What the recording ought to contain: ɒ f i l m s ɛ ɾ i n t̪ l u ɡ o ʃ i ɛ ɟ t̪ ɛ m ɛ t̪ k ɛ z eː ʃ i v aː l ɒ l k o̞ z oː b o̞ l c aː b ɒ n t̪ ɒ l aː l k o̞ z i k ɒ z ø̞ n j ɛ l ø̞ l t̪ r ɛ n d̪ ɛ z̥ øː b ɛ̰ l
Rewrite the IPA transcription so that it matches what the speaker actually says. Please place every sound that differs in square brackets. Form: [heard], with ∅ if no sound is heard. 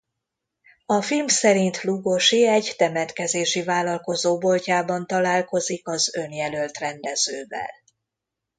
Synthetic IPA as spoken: ɒ f i l m s ɛ ɾ i n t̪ l u ɡ o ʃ i ɛ ɟ t̪ ɛ m ɛ t̪ k ɛ z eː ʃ i v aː l ɒ l k o̞ z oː b o̞ l c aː b ɒ n t̪ ɒ l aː l k o̞ z i k ɒ z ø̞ n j ɛ l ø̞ l t̪ r ɛ n d̪ ɛ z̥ øː [v] ɛ̰ l